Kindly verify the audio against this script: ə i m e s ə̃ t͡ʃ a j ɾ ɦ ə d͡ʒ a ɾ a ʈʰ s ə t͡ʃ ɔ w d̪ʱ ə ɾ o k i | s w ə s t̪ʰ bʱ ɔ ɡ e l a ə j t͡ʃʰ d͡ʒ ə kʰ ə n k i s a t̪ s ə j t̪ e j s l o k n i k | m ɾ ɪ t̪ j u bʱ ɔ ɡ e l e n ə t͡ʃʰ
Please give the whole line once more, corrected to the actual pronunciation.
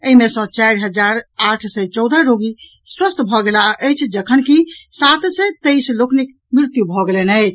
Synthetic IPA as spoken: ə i m e s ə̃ t͡ʃ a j ɾ ɦ ə d͡ʒ a ɾ a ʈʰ s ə t͡ʃ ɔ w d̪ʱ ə ɾ o ɡ i | s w ə s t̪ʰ bʱ ɔ ɡ e l a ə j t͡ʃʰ d͡ʒ ə kʰ ə n k i s a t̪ s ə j t̪ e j s l o k n i k | m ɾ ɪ t̪ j u bʱ ɔ ɡ e l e n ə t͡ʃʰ